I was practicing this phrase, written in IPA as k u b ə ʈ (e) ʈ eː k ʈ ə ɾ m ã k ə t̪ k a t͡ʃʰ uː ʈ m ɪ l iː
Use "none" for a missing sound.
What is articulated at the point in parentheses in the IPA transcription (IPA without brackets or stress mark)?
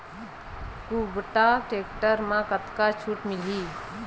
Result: a